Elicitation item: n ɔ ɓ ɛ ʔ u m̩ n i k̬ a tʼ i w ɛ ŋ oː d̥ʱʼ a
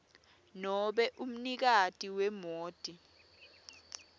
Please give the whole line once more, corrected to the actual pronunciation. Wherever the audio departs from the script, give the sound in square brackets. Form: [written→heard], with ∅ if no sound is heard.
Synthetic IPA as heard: n ɔ ɓ ɛ ʔ u m̩ n i k̬ a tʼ i w ɛ [ŋ→m] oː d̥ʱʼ [a→i]